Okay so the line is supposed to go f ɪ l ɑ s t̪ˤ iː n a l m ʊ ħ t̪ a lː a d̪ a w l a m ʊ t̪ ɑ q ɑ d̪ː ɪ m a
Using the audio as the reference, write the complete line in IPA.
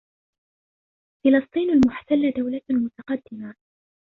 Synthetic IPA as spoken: f ɪ l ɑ s t̪ˤ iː n a l m ʊ ħ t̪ a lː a d̪ a w l a m ʊ t̪ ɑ q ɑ d̪ː ɪ m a

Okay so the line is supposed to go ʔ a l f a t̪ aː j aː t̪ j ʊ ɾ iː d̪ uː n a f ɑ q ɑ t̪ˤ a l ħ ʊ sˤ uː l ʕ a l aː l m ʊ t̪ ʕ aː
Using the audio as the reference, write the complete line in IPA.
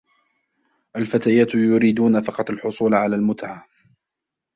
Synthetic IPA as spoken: ʔ a l f a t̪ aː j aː t̪ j ʊ ɾ iː d̪ uː n a f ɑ q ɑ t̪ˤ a l ħ ʊ sˤ uː l ʕ a l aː l m ʊ t̪ ʕ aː

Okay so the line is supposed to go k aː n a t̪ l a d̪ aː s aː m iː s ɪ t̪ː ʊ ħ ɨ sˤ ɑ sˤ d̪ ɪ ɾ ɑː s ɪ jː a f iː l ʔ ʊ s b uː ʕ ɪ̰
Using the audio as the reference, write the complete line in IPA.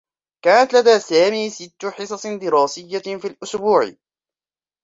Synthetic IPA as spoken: k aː n a t̪ l a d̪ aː s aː m iː s ɪ t̪ː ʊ ħ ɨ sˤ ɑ sˤ d̪ ɪ ɾ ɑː s ɪ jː a f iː l ʔ ʊ s b uː ʕ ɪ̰

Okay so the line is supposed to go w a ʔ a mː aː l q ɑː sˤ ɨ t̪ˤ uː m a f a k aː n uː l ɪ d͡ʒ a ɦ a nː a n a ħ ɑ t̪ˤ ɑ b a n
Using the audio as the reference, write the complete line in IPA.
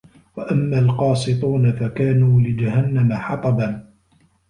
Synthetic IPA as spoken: w a ʔ a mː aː l q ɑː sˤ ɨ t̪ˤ uː n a f a k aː n uː l ɪ d͡ʒ a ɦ a nː a m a ħ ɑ t̪ˤ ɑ b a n

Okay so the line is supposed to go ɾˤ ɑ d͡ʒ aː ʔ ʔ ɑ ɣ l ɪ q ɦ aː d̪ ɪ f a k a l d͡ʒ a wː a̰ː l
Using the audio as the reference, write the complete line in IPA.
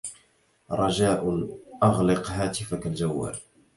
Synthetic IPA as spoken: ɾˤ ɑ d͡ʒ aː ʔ ʔ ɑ ɣ l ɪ q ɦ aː t̪ ɪ f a k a l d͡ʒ a wː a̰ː l

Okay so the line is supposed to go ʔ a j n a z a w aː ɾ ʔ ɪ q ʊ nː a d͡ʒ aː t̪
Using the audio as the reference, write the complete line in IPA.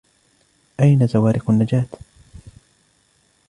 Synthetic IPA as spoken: ʔ a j n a z a w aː ɾ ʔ ɪ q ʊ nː a d͡ʒ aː t̪

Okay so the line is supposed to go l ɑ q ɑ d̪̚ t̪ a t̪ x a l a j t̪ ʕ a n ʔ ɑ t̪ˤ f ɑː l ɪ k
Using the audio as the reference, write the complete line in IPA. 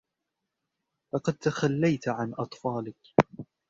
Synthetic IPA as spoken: l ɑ q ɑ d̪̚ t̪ a x a lː a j t̪ ʕ a n ʔ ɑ t̪ˤ f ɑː l ɪ k

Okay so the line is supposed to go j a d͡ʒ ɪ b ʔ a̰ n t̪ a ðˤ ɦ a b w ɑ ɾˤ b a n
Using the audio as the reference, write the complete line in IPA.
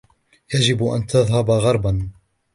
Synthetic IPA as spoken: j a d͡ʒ ɪ b ʔ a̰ n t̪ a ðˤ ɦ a b ɣ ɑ ɾˤ b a n

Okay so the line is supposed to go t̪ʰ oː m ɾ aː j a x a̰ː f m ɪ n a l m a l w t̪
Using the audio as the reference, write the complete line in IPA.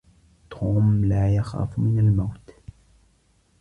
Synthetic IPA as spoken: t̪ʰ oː m l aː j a x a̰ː f m ɪ n a l m a w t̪

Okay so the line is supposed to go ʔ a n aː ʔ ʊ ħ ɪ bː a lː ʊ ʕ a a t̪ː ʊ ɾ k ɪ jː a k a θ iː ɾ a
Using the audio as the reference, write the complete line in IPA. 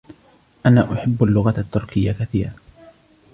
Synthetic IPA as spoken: ʔ a n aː ʔ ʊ ħ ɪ bː a lː ʊ ɣ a a t̪ː ʊ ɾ k ɪ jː a k a θ iː ɾ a

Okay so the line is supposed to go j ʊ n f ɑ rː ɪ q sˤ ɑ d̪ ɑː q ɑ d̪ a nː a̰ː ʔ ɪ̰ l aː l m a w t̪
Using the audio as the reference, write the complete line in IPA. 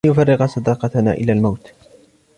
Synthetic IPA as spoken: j ʊ f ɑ rː ɪ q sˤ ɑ d̪ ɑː q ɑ t̪ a n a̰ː ʔ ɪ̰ l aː l m a w t̪

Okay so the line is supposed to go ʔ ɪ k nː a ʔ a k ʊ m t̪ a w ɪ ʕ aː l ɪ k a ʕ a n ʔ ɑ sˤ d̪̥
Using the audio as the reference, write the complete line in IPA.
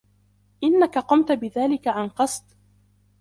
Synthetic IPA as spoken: ʔ ɪ nː a k a q ʊ m t̪ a b ɪ ð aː l ɪ k a ʕ a n q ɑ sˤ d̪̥

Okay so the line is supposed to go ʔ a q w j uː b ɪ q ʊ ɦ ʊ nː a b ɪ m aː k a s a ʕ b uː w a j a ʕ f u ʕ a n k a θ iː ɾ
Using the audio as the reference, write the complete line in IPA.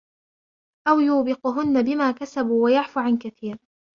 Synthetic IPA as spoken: ʔ a w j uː b ɪ q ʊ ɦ ʊ nː a b ɪ m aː k a s a b uː w a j a ʕ f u ʕ a n k a θ iː ɾ

